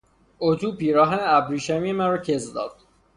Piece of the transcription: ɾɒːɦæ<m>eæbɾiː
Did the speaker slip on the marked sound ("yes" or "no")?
yes